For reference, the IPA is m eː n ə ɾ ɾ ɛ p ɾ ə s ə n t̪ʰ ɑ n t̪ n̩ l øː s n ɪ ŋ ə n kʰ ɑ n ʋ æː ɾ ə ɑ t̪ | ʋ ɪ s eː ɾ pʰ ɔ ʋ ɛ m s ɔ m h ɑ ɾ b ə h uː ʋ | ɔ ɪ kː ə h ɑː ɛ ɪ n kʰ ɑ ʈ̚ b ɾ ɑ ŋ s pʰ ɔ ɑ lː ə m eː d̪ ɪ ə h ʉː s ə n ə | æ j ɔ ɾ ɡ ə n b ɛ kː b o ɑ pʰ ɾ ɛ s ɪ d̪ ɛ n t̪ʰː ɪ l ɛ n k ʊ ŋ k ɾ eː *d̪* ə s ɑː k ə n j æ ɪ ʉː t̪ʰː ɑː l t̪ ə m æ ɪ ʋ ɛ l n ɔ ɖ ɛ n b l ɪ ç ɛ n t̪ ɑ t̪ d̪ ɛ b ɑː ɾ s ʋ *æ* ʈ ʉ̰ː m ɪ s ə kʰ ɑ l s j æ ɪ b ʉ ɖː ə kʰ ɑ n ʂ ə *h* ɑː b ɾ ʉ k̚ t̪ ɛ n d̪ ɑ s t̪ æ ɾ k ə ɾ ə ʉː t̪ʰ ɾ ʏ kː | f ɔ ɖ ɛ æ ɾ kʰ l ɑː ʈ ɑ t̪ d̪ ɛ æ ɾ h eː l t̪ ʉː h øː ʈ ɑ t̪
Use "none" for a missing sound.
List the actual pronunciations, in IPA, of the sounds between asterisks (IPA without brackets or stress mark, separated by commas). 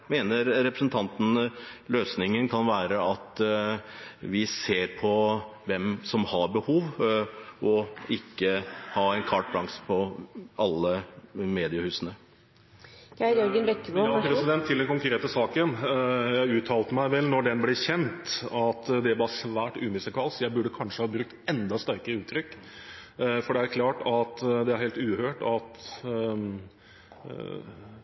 t̪, æː, h